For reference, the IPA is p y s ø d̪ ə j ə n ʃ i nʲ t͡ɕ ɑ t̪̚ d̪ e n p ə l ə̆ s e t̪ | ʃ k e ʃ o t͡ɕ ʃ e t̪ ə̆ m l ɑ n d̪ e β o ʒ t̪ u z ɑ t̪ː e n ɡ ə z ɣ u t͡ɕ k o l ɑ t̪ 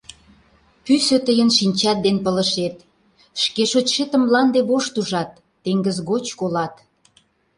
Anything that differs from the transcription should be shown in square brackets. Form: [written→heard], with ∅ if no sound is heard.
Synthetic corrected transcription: p y s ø [d̪→t̪] ə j ə n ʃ i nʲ t͡ɕ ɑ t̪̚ d̪ e n p ə l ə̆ [s→ʃ] e t̪ | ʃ k e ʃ o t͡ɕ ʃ e t̪ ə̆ m l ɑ n d̪ e β o [ʒ→ʃ] t̪ u [z→ʒ] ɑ t̪ː e [n→ŋ] ɡ ə z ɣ [u→o] t͡ɕ k o l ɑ t̪